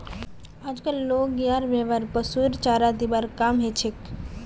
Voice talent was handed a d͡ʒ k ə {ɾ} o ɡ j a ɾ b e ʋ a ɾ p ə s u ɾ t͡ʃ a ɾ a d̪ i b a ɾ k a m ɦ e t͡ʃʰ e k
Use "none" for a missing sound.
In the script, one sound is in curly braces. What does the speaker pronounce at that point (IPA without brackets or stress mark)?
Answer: l